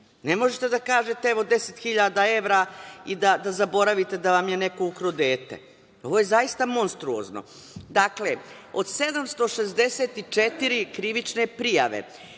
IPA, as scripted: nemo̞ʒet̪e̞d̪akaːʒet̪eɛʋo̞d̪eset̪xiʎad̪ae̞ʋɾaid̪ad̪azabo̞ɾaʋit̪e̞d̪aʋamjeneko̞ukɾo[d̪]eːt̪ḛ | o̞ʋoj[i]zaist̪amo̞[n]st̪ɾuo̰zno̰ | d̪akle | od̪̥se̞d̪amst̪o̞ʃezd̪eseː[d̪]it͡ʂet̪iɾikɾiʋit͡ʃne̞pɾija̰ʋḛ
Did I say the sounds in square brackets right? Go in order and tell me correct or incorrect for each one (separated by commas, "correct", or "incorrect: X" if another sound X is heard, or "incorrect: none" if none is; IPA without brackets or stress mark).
correct, incorrect: e, correct, incorrect: t̪